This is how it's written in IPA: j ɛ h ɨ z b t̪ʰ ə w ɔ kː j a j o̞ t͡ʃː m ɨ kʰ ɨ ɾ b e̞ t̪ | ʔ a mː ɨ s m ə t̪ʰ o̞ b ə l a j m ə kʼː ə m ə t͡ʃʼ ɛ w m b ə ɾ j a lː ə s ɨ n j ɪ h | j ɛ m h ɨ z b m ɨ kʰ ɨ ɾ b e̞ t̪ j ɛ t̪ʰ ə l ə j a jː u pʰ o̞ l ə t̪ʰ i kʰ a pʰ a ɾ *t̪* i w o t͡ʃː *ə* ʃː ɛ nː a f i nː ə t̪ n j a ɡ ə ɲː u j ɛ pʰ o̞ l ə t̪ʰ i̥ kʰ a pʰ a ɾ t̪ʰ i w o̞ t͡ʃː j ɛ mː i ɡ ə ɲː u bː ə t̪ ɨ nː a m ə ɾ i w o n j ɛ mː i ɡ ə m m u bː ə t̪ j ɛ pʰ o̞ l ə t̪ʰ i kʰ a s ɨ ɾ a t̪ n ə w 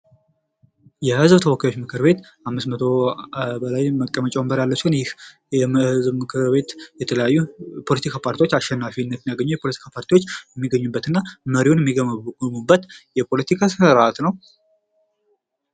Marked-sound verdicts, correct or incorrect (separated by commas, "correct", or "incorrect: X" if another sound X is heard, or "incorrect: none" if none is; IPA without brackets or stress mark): correct, incorrect: a